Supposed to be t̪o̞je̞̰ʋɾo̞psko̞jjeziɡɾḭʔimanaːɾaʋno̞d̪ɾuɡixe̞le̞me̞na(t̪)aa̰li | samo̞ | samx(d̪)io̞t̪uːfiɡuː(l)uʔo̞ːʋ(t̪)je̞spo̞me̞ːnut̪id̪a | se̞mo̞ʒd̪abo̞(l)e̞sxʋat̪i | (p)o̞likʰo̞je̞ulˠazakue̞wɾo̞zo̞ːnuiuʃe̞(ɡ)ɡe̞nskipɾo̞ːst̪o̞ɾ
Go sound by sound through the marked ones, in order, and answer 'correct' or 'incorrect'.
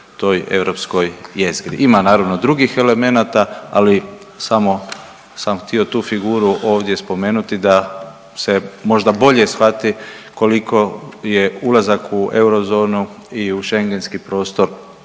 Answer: correct, incorrect: t̪, incorrect: ɾ, incorrect: d̪, incorrect: ʎ, incorrect: k, incorrect: ŋ

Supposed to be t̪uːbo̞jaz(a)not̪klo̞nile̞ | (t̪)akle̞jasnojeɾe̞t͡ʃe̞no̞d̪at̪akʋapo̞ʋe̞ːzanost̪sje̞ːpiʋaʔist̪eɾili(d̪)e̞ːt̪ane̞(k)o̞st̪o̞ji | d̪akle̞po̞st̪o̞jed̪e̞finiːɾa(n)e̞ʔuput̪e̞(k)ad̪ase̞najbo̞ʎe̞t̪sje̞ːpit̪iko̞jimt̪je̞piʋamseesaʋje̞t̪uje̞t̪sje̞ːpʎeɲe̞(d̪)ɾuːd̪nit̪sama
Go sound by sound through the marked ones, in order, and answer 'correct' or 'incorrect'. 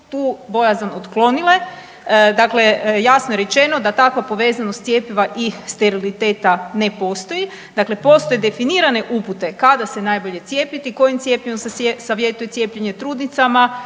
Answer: correct, incorrect: d̪, incorrect: t̪, incorrect: p, correct, correct, incorrect: t̪

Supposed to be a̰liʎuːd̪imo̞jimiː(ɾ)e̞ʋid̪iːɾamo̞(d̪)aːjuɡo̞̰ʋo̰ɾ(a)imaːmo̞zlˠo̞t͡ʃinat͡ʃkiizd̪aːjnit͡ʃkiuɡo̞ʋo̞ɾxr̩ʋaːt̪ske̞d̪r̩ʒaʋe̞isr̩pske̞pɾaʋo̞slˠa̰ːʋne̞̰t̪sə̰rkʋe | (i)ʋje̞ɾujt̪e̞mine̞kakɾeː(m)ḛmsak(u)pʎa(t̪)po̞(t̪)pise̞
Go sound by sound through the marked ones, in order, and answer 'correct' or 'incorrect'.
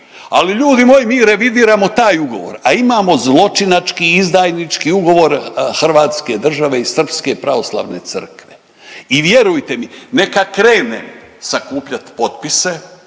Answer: correct, incorrect: t̪, correct, correct, incorrect: n, incorrect: uː, correct, correct

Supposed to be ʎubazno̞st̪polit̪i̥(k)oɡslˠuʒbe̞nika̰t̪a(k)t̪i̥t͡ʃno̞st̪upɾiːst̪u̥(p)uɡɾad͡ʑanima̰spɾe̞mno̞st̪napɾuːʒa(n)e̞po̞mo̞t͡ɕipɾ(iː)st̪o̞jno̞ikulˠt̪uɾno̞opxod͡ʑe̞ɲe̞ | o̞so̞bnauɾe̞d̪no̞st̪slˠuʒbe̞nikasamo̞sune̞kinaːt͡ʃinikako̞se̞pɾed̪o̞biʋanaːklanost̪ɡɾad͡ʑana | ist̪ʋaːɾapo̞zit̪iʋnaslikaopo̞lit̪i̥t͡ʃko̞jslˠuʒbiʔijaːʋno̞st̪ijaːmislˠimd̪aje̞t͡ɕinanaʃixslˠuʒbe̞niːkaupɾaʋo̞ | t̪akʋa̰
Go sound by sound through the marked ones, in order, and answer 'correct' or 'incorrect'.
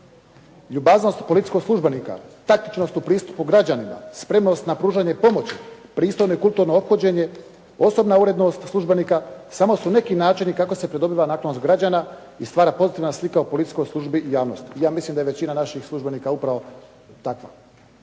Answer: correct, correct, correct, incorrect: ɲ, correct

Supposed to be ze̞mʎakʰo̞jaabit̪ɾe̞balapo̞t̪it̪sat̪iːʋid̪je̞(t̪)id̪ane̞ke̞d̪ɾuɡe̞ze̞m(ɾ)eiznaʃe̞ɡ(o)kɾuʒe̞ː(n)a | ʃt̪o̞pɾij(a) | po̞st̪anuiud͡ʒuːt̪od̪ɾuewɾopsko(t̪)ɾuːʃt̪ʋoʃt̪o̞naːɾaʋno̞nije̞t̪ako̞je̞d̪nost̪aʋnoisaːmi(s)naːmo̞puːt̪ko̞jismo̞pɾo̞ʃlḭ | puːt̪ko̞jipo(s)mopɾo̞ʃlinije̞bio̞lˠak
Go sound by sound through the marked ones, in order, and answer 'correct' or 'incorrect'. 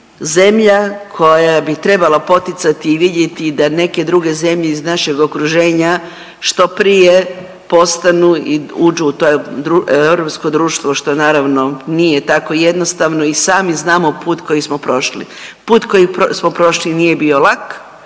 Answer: correct, incorrect: ʎ, correct, incorrect: ɲ, incorrect: e, incorrect: d̪, incorrect: z, correct

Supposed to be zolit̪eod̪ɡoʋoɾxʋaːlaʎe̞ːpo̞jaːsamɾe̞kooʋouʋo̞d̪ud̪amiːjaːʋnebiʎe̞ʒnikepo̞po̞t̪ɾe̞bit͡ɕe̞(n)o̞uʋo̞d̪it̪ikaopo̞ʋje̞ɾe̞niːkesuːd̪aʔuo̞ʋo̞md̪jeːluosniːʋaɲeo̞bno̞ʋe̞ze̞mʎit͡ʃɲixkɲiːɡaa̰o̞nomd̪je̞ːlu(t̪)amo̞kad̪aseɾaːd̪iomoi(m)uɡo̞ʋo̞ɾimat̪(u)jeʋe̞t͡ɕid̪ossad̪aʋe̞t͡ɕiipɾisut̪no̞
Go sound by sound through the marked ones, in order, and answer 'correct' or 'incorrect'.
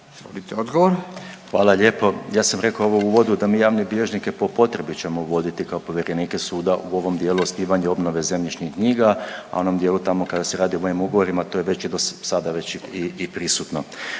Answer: incorrect: m, correct, correct, incorrect: o

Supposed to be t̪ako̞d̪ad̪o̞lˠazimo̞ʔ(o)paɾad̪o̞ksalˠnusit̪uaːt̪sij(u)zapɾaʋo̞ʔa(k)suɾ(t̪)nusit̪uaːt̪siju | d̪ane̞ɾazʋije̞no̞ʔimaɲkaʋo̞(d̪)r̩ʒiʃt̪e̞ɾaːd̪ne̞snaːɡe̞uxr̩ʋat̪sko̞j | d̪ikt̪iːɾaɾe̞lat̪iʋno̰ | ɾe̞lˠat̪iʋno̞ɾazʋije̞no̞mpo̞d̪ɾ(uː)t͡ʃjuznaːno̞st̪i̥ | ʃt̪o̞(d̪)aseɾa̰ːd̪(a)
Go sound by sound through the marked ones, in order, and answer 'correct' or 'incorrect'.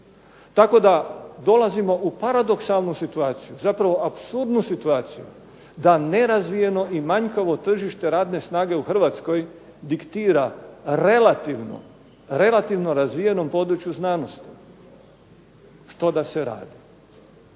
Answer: incorrect: u, correct, incorrect: p, incorrect: d̪, incorrect: t̪, incorrect: u, correct, incorrect: i

